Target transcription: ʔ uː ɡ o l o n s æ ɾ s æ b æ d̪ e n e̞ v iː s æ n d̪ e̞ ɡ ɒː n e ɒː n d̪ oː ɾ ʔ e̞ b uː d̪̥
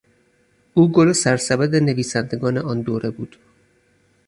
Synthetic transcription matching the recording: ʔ uː ɡ o l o s æ ɾ s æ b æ d̪ e n e̞ v iː s æ n d̪ e̞ ɡ ɒː n e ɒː n d̪ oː ɾ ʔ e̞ b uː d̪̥